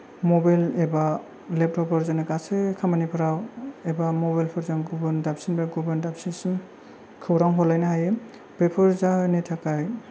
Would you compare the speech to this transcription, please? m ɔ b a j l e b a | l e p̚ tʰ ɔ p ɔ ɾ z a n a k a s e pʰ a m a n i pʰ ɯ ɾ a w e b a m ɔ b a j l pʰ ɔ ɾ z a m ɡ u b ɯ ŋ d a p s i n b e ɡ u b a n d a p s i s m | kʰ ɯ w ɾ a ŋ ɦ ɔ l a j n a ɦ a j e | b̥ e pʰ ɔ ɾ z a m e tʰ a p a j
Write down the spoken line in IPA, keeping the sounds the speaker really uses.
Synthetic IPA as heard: m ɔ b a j l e b a | l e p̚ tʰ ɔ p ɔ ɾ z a n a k a s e kʰ a m a n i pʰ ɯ ɾ a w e b a m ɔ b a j l pʰ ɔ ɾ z a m ɡ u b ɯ n d a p s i n b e ɡ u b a n d a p s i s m | kʰ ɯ w ɾ a ŋ ɦ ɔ l a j n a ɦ a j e | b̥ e pʰ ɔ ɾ z a n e tʰ a k a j